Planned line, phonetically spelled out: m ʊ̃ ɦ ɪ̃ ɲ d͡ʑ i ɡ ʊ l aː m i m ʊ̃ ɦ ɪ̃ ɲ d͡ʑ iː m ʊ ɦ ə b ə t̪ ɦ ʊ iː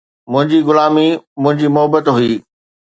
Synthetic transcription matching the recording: m ʊ̃ ɦ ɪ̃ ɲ d͡ʑ i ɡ ʊ l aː m i m ʊ̃ ɦ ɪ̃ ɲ d͡ʑ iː m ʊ ɦ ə b ə t̪ ɦ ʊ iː